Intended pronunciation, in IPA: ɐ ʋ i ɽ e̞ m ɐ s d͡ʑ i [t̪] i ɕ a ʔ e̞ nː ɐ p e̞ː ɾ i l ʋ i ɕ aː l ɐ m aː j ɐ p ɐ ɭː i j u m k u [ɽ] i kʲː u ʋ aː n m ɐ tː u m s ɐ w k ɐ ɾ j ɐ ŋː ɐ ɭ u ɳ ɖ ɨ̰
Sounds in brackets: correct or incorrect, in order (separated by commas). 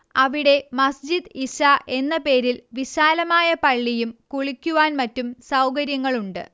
incorrect, incorrect